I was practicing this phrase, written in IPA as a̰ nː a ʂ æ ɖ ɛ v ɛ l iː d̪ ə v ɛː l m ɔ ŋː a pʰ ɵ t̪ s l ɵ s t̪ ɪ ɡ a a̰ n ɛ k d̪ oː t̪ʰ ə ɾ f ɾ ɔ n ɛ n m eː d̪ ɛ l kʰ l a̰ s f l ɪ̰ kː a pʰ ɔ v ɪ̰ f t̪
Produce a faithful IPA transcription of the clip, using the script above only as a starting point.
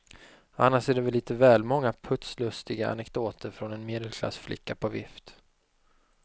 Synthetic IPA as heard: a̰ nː a ʂ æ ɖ ɛ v ɛ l iː t̪ ə v ɛː l m ɔ ŋː a pʰ ɵ t̪ s l ɵ s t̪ ɪ ɡ a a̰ n ɛ k d̪ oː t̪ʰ ə ɾ f ɾ ɔ n ɛ n m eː d̪ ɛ l kʰ l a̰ s f l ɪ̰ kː a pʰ ɔ v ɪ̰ f t̪